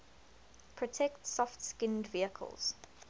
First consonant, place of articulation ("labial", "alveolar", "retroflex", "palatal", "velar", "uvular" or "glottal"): labial